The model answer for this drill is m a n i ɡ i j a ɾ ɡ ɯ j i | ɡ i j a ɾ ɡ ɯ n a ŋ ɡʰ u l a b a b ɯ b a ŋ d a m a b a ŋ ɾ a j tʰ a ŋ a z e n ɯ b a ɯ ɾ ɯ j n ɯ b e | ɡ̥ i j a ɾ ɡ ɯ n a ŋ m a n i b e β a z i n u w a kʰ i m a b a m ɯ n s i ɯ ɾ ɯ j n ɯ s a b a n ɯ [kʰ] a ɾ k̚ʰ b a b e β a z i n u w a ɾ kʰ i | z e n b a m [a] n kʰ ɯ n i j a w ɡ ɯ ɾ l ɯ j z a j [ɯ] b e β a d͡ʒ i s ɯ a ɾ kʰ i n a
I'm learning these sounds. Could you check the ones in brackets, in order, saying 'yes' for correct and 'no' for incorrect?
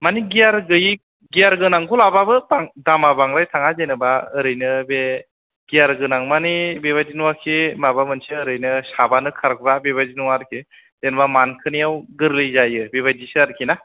yes, yes, yes

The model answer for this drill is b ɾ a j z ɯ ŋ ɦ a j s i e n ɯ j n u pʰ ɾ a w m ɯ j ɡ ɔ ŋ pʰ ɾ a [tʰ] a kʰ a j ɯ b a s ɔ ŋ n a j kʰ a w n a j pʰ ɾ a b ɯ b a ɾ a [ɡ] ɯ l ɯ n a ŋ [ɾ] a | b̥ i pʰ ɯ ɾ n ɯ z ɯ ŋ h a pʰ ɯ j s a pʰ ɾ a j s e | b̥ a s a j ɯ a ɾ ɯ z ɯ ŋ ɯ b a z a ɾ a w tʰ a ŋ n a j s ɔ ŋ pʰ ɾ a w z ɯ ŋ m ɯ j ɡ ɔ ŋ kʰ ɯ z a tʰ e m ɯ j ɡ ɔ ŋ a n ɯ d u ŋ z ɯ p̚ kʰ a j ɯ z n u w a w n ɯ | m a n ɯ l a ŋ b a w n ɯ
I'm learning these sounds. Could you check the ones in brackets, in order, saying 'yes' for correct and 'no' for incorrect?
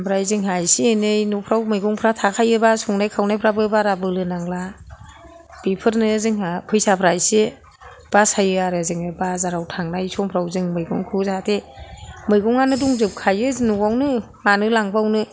yes, no, no

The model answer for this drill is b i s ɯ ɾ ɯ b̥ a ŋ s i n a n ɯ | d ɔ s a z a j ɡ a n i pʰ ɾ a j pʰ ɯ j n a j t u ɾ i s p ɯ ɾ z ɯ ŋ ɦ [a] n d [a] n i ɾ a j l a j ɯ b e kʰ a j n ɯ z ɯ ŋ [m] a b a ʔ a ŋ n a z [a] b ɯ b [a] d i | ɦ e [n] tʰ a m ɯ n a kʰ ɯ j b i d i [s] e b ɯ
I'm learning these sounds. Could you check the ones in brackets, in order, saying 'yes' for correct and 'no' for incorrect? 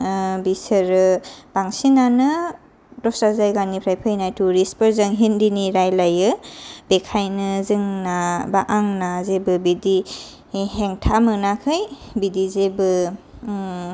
no, no, no, no, no, no, no

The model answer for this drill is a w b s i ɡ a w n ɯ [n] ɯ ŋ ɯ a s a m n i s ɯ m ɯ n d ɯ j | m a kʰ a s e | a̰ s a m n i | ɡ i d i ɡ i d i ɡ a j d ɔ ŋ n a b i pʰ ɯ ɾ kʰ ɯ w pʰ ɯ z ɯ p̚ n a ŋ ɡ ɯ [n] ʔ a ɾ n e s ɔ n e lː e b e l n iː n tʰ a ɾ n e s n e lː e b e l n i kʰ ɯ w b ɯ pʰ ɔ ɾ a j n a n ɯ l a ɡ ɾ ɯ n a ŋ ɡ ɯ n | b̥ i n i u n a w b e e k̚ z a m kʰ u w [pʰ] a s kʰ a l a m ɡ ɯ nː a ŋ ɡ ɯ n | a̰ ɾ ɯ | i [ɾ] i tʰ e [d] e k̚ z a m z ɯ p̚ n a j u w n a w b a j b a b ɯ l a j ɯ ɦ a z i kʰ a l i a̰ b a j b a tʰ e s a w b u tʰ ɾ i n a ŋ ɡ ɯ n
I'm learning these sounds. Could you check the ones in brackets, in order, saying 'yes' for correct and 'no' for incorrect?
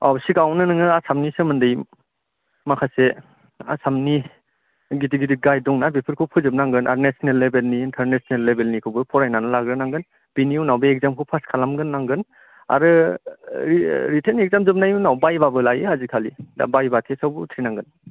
yes, yes, yes, yes, no

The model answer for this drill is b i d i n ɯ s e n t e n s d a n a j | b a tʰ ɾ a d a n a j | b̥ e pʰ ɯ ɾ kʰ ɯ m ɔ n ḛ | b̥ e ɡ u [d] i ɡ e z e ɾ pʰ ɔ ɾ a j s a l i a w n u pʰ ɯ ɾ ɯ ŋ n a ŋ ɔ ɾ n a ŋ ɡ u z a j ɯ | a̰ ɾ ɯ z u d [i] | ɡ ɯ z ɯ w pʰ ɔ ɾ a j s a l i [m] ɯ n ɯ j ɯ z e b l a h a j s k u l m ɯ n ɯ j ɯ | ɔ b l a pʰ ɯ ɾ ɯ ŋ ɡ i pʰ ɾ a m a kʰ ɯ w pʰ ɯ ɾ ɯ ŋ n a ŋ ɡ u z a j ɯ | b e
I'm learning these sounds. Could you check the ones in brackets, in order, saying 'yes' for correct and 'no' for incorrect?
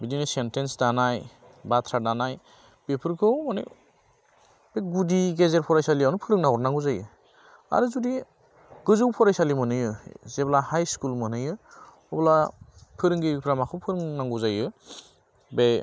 yes, yes, yes

